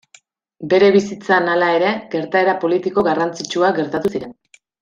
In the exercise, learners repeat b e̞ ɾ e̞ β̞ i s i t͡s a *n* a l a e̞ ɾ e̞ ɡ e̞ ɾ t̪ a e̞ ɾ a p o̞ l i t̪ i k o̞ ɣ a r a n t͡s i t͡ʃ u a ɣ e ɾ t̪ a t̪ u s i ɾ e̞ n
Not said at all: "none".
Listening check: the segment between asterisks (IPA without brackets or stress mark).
n